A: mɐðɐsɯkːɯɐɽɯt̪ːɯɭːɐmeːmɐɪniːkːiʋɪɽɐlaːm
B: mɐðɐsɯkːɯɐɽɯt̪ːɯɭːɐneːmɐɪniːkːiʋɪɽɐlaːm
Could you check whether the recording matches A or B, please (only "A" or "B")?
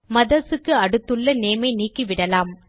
B